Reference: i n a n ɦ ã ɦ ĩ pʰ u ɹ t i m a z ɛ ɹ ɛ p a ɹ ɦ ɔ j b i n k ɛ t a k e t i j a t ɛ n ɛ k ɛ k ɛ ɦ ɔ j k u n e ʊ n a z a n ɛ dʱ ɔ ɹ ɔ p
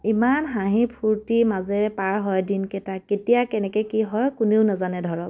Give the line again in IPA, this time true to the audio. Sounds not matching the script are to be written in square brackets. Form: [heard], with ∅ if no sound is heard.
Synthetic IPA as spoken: i [m] a n ɦ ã ɦ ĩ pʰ u ɹ t i m a z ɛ ɹ ɛ p a ɹ ɦ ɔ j [d] i n k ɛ t a k e t i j a [k] ɛ n ɛ k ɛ k [i] ɦ ɔ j k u n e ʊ n a z a n ɛ dʱ ɔ ɹ ɔ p